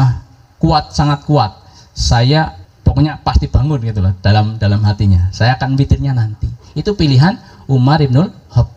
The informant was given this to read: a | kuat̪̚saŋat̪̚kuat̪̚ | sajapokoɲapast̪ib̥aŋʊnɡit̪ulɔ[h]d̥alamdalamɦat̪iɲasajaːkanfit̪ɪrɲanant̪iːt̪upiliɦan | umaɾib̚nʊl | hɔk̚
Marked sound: correct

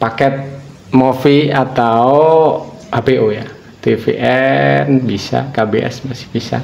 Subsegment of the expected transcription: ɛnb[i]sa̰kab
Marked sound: correct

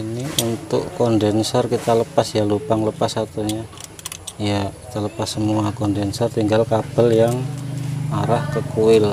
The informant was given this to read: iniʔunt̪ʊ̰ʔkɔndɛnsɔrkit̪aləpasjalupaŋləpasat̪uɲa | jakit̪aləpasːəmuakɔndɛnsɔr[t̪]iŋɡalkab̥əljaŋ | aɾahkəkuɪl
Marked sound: correct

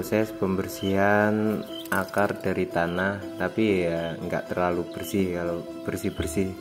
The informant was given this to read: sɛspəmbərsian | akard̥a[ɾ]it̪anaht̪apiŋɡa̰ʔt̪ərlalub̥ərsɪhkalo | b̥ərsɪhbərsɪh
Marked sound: correct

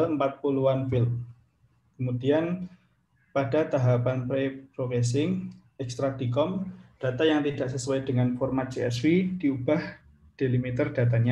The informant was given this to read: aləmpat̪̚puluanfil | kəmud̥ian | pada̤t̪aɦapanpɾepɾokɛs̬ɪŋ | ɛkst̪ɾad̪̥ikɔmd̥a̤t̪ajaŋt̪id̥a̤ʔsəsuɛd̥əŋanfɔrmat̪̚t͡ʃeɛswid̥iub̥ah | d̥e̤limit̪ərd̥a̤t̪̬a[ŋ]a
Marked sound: incorrect: ɲ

